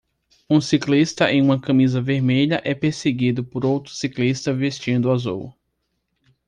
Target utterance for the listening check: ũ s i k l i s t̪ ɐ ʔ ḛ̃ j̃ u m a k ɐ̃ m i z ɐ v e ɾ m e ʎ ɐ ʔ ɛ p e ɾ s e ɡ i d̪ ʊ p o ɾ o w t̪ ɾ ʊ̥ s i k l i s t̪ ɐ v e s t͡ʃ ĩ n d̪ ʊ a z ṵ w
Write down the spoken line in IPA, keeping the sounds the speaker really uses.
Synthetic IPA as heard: ũ s i k l i s t̪ ɐ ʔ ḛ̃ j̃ ũ m ɐ k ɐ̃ m i z ɐ v e ɾ m e ʎ ɐ ʔ ɛ p e ɾ s e ɡ i d̪ ʊ p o ɾ o w t̪ ɾ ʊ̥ s i k l i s t̪ ɐ v e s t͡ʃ ĩ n d̪ ʊ a z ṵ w